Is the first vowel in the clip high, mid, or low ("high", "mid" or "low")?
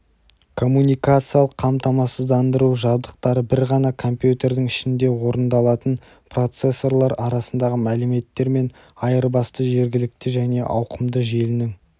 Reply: mid